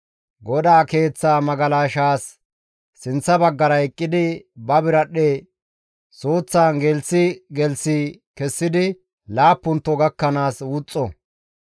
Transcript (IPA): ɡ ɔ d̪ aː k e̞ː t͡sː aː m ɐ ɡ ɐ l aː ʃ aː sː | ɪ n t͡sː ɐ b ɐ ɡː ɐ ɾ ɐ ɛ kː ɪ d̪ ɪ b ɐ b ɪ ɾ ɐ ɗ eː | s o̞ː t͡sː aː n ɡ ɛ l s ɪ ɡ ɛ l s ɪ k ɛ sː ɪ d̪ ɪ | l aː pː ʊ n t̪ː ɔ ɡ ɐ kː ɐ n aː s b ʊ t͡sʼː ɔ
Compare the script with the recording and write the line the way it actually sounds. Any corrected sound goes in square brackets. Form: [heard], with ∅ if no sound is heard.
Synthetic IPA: ɡ ɔ d̪ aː k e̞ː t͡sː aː m ɐ ɡ ɐ l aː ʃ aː sː | ɪ n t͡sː ɐ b ɐ ɡː ɐ ɾ ɐ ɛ [kʼː] ɪ d̪ ɪ b ɐ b ɪ ɾ ɐ ɗ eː | s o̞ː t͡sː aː n ɡ ɛ l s ɪ ɡ ɛ l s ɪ k ɛ sː ɪ d̪ ɪ | l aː pː ʊ n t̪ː ɔ ɡ ɐ kː ɐ n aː s [w] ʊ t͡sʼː ɔ